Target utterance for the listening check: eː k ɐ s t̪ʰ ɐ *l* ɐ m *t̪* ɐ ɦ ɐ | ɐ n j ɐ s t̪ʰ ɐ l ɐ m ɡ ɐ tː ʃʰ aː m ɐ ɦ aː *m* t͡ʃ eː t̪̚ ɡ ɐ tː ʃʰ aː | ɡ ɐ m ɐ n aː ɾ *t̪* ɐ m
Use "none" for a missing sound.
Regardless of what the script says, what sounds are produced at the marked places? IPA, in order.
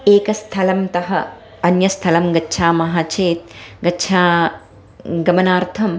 l, t̪, none, t̪ʰ

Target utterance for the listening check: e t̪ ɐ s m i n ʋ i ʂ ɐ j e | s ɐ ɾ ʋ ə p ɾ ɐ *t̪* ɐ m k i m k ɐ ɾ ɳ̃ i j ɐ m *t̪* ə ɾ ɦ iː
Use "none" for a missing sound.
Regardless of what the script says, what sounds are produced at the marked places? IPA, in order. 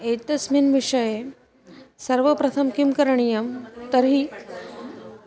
t̪ʰ, t̪

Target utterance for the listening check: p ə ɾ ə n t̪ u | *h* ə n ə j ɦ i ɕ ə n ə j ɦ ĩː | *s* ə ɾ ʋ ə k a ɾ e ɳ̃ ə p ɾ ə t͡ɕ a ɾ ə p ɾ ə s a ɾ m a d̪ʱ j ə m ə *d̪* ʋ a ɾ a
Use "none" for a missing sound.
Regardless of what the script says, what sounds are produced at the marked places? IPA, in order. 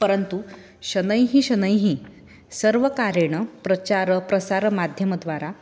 ɕ, s, d̪

